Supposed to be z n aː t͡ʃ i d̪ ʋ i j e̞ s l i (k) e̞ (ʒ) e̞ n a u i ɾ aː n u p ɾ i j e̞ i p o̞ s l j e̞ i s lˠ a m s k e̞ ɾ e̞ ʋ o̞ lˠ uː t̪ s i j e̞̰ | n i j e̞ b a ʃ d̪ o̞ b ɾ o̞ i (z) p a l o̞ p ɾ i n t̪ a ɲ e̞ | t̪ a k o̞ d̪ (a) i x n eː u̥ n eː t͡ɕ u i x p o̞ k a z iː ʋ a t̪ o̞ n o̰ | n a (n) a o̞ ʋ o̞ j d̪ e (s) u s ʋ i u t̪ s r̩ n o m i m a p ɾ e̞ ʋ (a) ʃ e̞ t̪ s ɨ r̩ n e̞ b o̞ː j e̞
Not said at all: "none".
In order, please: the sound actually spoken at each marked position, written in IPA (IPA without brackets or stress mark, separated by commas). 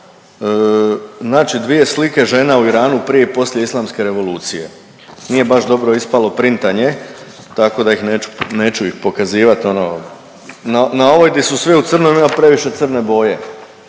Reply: k, ʒ, s, a, n, s, i